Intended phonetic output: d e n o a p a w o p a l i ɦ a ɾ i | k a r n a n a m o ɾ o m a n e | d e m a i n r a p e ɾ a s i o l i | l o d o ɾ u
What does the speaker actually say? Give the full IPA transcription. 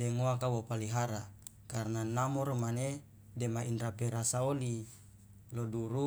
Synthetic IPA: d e ŋ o a k a w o p a l i ɦ a ɾ a | k a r n a n a m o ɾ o m a n e | d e m a i n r a p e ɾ a s a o l i | l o d u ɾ u